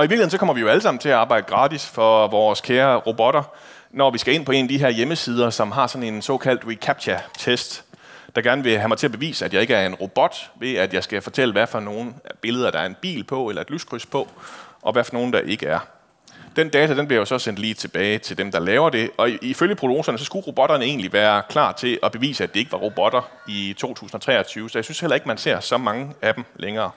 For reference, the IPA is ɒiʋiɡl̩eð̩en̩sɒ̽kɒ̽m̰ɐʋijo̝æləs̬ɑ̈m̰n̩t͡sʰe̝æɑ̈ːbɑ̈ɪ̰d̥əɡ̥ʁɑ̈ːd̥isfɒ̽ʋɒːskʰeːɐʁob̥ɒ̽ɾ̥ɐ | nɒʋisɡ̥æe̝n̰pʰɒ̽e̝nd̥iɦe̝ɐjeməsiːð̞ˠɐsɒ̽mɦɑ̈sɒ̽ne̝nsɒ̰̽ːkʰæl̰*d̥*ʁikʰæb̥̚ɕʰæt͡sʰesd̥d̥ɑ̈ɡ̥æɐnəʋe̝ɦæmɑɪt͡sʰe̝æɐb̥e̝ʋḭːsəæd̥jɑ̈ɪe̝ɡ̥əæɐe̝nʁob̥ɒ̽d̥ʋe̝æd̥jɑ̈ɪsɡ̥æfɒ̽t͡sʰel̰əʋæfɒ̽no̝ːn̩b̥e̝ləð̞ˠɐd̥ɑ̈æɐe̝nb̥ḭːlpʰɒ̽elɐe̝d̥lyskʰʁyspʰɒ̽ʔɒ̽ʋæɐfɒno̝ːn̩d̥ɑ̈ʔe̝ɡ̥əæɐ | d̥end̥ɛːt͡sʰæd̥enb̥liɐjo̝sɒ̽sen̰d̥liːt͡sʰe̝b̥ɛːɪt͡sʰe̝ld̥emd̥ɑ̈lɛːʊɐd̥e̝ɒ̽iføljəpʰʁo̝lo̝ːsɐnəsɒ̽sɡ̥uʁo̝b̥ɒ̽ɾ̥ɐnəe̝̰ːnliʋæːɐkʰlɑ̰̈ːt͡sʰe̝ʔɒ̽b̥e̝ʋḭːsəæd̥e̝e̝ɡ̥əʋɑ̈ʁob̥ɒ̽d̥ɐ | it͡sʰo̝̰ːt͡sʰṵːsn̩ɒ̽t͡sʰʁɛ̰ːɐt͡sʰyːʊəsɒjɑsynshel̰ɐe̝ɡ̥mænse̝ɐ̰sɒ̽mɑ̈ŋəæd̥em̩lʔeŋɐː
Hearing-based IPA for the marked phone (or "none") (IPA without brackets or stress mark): d̥